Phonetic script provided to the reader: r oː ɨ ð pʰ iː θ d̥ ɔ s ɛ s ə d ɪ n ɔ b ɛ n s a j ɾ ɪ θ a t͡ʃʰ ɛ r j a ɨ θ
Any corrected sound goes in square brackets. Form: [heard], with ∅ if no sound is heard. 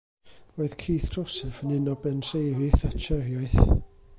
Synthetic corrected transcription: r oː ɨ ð [kʰ] iː θ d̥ ɔ s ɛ [f] ə [n] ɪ n ɔ b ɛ n s [e] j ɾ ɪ θ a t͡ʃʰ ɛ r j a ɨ θ

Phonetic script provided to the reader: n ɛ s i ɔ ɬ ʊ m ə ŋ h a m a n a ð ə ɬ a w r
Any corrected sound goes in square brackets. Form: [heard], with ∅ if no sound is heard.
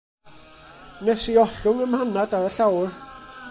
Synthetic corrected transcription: n ɛ s i ɔ ɬ ʊ [ŋ] ə [m] h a [n] a [d] a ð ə ɬ a w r

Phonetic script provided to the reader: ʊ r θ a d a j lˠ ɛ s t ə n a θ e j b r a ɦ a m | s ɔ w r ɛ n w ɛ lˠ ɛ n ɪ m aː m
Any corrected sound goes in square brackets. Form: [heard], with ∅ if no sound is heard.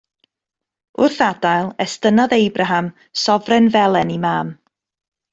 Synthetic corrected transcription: ʊ r θ a d a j lˠ ɛ s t ə n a [ð] e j b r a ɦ a m | s ɔ [v] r ɛ n [v] ɛ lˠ ɛ n [i] m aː m

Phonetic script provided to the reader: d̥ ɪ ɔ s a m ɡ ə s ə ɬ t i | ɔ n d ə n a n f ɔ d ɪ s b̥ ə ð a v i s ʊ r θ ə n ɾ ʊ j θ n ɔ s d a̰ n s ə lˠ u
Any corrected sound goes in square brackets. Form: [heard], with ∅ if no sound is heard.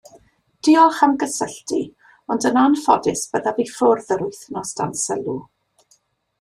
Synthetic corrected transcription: d̥ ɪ ɔ [χ] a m ɡ ə s ə ɬ t i | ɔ n d ə n a n f ɔ d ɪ s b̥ ə ð a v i [f] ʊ r [ð] ə [∅] ɾ ʊ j θ n ɔ s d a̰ n s ə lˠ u

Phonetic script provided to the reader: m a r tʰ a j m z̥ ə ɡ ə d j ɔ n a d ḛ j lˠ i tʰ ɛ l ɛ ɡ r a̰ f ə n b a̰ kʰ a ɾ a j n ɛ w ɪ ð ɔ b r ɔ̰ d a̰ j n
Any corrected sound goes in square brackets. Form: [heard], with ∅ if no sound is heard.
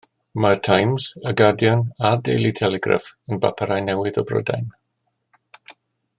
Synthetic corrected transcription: m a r tʰ a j m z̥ ə ɡ [a] d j ɔ n a d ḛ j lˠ i tʰ ɛ l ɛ ɡ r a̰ f ə n b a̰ [pʰ] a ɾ a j n ɛ w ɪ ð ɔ b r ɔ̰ d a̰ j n

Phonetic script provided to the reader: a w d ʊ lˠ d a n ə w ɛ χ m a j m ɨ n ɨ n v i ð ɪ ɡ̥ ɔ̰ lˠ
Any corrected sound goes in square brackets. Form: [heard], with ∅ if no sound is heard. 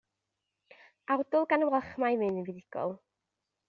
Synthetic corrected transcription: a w d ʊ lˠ [ɡ] a n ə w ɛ χ m a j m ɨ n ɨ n v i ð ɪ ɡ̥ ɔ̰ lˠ

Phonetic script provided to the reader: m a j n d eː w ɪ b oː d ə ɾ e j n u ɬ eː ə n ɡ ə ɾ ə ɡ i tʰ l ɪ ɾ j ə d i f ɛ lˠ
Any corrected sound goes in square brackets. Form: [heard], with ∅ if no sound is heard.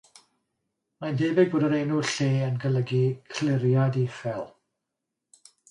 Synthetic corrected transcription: m a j n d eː [b] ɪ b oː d ə ɾ e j n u ɬ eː ə n ɡ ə [l] ə ɡ i [kʰ] l ɪ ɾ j [a] d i f ɛ lˠ

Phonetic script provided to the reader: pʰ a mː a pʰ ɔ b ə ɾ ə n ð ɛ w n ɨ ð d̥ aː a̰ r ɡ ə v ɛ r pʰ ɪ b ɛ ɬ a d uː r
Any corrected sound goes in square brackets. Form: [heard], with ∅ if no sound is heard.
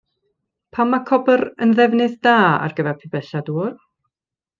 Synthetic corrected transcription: pʰ a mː a [kʰ] ɔ b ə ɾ ə n ð ɛ [v] n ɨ ð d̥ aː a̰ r ɡ ə v ɛ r pʰ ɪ b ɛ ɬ a d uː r

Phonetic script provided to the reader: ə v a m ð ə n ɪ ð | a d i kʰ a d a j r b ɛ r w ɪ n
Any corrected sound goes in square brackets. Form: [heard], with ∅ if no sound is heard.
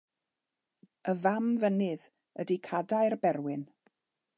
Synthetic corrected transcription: ə v a m [v] ə n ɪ ð | [ə] d i kʰ a d a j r b ɛ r w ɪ n

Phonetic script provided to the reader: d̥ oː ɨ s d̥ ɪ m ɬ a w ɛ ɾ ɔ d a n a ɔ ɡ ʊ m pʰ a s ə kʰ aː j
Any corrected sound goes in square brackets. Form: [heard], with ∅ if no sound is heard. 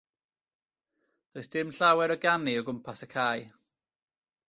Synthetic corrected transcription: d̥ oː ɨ s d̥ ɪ m ɬ a w ɛ ɾ ɔ [ɡ] a n [i] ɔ ɡ ʊ m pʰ a s ə kʰ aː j

